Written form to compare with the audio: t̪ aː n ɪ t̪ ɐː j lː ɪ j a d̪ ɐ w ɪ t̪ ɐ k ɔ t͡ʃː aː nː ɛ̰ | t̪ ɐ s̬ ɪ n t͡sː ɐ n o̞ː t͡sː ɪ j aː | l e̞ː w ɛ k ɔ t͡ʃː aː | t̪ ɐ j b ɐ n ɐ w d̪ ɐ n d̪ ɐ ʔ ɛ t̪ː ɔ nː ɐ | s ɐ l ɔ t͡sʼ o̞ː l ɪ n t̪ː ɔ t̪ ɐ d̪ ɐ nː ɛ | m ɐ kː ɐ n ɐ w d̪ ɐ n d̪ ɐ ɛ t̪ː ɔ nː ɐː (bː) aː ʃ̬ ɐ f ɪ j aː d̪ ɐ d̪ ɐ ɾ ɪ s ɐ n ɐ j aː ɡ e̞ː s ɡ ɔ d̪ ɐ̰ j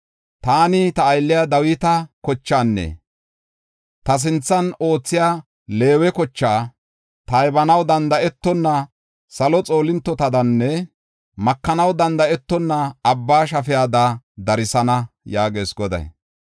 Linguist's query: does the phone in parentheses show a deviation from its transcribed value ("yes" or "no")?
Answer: no